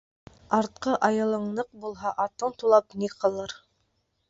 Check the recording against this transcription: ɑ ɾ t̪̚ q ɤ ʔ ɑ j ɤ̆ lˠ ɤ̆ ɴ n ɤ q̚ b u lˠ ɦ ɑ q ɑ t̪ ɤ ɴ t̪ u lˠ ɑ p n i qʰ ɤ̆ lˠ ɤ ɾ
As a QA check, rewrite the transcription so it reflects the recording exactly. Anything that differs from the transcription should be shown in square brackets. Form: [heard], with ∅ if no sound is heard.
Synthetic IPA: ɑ ɾ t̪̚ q ɤ ʔ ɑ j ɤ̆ lˠ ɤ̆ ɴ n ɤ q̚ b u lˠ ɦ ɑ [ʔ] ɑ t̪ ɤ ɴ t̪ u lˠ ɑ p n i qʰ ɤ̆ lˠ ɤ ɾ